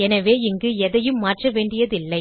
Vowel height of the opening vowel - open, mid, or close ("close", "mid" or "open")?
mid